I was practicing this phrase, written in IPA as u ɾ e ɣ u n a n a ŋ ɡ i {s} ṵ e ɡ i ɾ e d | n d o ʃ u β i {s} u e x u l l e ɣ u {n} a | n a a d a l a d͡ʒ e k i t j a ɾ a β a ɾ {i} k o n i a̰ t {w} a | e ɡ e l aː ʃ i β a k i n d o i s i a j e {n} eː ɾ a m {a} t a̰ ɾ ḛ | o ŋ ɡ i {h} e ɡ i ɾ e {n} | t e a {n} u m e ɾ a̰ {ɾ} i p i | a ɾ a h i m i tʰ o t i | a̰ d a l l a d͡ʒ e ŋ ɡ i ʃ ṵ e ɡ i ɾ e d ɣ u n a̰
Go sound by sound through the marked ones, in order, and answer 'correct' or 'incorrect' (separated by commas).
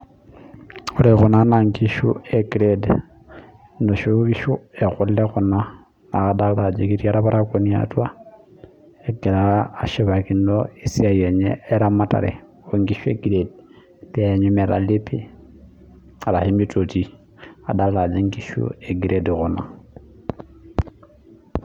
incorrect, incorrect, correct, incorrect, correct, incorrect, correct, incorrect, incorrect, incorrect, incorrect